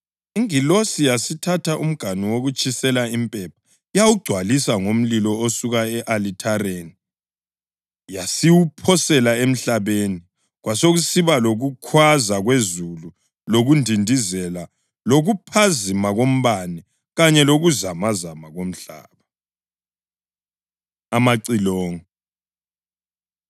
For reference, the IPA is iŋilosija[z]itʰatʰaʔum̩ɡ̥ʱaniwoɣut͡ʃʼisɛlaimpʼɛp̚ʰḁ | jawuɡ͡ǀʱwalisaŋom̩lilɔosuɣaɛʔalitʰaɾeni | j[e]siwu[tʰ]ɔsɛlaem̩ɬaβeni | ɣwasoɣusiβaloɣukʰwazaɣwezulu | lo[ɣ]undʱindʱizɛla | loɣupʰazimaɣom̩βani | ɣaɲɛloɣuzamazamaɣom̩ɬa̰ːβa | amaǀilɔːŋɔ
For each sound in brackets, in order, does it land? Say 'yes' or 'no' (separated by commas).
no, no, no, yes